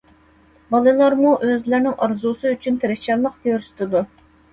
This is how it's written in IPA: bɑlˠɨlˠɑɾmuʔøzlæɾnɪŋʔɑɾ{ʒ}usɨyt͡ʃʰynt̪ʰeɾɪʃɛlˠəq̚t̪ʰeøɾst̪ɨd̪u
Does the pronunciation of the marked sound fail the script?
yes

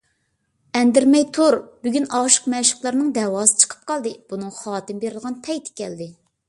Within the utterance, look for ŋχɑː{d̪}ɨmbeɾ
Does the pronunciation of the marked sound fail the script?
yes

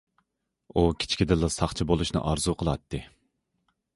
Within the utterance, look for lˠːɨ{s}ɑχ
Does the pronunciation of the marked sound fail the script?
no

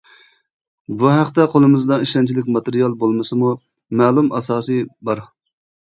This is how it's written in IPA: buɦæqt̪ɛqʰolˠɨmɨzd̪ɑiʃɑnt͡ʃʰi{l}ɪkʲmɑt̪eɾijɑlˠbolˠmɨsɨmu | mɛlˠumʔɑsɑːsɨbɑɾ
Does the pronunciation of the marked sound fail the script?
no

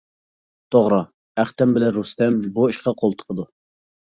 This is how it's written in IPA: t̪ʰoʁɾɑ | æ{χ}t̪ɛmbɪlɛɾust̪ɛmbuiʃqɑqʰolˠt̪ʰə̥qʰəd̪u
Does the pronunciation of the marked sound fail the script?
no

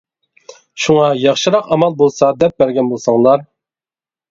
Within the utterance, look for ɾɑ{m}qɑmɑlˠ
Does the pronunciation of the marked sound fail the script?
yes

